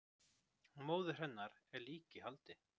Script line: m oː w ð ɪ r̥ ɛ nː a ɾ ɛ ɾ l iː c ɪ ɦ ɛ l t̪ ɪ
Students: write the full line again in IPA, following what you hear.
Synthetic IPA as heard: m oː w ð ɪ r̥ ɛ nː a ɾ ɛ ɾ l iː c ɪ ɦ a l t̪ ɪ